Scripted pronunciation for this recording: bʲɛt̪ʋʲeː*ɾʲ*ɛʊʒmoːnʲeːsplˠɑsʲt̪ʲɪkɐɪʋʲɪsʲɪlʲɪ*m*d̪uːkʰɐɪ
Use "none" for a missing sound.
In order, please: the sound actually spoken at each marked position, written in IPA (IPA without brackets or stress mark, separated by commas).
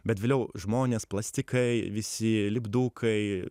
lʲ, b